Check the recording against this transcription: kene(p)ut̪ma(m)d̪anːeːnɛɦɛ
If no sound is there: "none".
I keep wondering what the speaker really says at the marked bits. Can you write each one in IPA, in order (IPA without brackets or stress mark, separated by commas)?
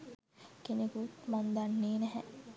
k, n